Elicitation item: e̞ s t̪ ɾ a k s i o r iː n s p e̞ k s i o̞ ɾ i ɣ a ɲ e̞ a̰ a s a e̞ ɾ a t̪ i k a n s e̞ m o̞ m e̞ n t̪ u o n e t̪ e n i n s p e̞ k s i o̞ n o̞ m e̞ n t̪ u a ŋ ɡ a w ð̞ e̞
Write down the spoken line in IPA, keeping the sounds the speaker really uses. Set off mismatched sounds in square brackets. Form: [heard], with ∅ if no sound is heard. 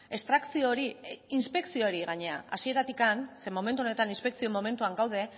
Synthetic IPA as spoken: e̞ s t̪ ɾ a k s i o [ɾ] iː n s p e̞ k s i o̞ ɾ i ɣ a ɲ e̞ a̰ a s [i] e̞ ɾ a t̪ i k a n s e̞ m o̞ m e̞ n t̪ u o n e t̪ [a] n i n s p e̞ k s i o̞ [m] o̞ m e̞ n t̪ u a ŋ ɡ a w ð̞ e̞

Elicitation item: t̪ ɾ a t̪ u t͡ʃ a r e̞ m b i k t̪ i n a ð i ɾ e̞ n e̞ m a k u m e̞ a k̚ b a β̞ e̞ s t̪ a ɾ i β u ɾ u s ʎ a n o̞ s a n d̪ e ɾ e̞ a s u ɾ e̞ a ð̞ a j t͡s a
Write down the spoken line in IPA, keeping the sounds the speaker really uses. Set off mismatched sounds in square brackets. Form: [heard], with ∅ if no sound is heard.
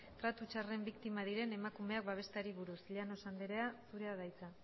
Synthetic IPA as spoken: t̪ ɾ a t̪ u t͡ʃ a r e̞ m b i k t̪ i [m] a ð i ɾ e̞ n e̞ m a k u m e̞ a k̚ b a β̞ e̞ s t̪ a ɾ i β u ɾ u s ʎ a n o̞ s a n d̪ e ɾ e̞ a s u ɾ e̞ a ð̞ a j t͡s a

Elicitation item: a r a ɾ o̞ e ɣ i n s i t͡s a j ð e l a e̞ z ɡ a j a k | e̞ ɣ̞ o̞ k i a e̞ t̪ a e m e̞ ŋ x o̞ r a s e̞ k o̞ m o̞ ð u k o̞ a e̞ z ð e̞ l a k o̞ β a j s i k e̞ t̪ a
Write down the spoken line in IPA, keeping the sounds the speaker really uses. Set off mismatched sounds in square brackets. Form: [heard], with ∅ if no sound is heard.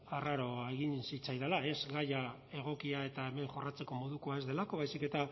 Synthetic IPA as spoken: a r a ɾ o̞ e ɣ i n s i t͡s a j ð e l a e̞ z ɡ a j a [∅] | e̞ ɣ̞ o̞ k i a e̞ t̪ a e m e̞ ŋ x o̞ r a [t͡s] e̞ k o̞ m o̞ ð u k o̞ a e̞ z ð e̞ l a k o̞ β a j s i k e̞ t̪ a

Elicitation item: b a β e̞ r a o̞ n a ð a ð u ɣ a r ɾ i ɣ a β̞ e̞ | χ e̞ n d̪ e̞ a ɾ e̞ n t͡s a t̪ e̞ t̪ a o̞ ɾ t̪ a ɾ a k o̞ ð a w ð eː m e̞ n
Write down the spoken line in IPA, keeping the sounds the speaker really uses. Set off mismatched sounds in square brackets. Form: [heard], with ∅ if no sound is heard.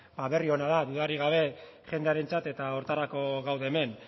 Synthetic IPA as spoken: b a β e̞ r [i] o̞ n a ð a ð u [ð] a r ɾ i ɣ a β̞ e̞ | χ e̞ n d̪ e̞ a ɾ e̞ n t͡s a t̪ e̞ t̪ a o̞ ɾ t̪ a ɾ a k o̞ [ɣ] a w ð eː m e̞ n

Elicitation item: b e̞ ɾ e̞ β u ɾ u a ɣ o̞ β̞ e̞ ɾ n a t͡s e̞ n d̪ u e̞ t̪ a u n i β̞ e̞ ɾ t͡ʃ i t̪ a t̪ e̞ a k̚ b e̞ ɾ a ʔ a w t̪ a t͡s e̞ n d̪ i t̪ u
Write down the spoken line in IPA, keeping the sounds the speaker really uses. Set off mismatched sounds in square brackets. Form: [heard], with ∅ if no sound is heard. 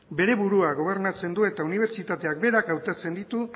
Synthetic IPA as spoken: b e̞ ɾ e̞ β u ɾ u a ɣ o̞ β̞ e̞ ɾ n a t͡s e̞ n d̪ u e̞ t̪ a u n i β̞ e̞ ɾ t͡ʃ i t̪ a t̪ e̞ a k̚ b e̞ ɾ a [k] a w t̪ a t͡s e̞ n d̪ i t̪ u

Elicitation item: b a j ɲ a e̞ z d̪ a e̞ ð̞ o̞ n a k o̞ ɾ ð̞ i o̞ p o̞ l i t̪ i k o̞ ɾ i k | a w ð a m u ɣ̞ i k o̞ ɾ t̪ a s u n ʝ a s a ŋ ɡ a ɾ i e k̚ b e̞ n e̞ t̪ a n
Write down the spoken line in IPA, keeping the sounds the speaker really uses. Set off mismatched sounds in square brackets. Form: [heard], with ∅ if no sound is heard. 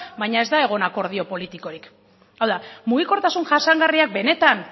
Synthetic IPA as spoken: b a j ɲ a e̞ z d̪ a e̞ [ɣ̞] o̞ n a k o̞ ɾ ð̞ i o̞ p o̞ l i t̪ i k o̞ ɾ i k | a w ð a m u ɣ̞ i k o̞ ɾ t̪ a s u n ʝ a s a ŋ ɡ a [r] i [a] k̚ b e̞ n e̞ t̪ a n

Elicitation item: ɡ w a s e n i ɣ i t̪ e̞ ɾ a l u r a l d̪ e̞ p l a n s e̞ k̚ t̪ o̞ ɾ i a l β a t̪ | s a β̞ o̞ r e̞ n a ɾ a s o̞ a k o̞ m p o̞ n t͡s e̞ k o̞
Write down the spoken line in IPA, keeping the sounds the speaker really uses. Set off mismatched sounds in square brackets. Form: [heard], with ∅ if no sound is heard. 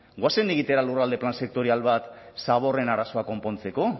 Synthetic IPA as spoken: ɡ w a s e n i ɣ i t̪ e̞ ɾ a l u r a l d̪ e̞ p l a n s e̞ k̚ t̪ o̞ ɾ i a l β a t̪ | s a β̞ o̞ r e̞ n a ɾ a s o̞ a k o̞ m p o̞ n t͡s e̞ k o̞

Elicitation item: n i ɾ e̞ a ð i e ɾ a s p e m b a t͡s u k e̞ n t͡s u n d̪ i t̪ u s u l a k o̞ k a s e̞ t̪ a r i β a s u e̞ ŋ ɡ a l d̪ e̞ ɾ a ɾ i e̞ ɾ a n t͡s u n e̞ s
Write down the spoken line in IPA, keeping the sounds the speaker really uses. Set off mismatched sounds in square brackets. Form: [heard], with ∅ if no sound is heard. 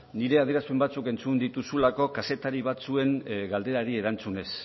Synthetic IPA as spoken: n i ɾ e̞ a ð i e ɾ a s p e m b a t͡s u k e̞ n t͡s u n d̪ i t̪ u s u l a k o̞ k a s e̞ t̪ a [ɾ] i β a [t͡s] u e̞ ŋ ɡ a l d̪ e̞ ɾ a ɾ i e̞ ɾ a n t͡s u n e̞ s

